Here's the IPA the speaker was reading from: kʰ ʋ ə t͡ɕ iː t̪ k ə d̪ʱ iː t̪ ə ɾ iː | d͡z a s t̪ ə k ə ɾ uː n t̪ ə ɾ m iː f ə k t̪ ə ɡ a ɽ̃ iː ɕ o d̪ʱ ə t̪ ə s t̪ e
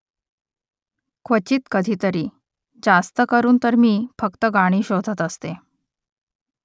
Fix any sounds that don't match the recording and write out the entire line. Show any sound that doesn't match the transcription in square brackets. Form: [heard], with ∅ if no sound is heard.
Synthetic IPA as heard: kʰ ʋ ə t͡ɕ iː t̪ k ə d̪ʱ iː t̪ ə ɾ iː | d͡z a s t̪ ə k ə ɾ uː n t̪ ə ɾ m iː f ə k t̪ ə ɡ a ɽ̃ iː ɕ o d̪ʱ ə t̪ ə s t̪ e